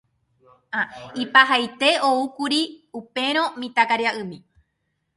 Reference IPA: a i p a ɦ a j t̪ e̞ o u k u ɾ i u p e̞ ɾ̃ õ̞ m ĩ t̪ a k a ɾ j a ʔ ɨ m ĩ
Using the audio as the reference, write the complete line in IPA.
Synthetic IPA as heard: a i p a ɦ a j t̪ e̞ o u k u ɾ i u p e̞ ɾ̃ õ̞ m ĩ t̪ a k a ɾ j a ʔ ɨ m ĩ